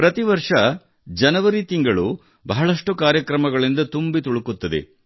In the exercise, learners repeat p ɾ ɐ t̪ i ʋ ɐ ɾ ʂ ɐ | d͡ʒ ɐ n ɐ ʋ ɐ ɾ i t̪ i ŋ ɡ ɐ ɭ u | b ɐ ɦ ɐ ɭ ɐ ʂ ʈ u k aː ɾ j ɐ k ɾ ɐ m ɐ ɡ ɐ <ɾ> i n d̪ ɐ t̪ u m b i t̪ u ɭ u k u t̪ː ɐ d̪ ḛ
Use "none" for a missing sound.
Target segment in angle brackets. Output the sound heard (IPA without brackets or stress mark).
ɭ